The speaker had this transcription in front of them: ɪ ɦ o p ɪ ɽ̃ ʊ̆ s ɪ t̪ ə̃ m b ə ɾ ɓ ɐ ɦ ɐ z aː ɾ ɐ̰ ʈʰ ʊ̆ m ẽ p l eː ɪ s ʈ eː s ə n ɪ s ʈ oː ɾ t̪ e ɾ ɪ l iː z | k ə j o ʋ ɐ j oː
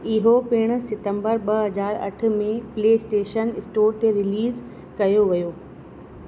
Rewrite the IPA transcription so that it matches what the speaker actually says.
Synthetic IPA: ɪ ɦ o p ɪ ɽ̃ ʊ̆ s ɪ t̪ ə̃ m b ə ɾ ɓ ɐ ɦ ɐ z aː ɾ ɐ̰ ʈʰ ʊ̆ m ẽ p l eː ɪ s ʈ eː ʃ ə n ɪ s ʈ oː ɾ t̪ e ɾ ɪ l iː z | k ɐ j o ʋ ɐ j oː

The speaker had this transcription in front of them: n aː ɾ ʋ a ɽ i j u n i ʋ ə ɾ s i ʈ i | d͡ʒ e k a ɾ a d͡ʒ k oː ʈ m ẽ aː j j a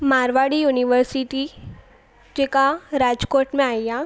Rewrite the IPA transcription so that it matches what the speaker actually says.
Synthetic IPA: m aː ɾ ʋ a ɽ i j u n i ʋ ə ɾ s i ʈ i | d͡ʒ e k a ɾ a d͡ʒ k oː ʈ m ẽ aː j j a

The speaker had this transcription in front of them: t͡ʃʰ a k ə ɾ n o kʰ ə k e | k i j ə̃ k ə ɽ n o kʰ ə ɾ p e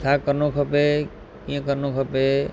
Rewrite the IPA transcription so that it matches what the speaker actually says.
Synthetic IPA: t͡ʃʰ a k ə ɾ n o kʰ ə p e | k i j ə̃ k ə ɾ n o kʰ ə p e

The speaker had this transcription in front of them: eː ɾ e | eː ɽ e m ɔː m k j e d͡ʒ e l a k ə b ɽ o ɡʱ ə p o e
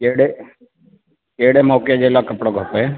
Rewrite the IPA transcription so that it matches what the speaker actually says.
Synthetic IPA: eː ɽ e | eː ɽ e m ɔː k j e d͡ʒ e l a k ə p ɽ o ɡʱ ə p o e

